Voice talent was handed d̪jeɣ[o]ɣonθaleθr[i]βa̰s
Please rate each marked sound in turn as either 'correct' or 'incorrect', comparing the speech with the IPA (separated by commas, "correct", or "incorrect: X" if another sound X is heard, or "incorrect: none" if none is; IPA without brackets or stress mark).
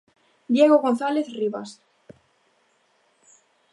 correct, correct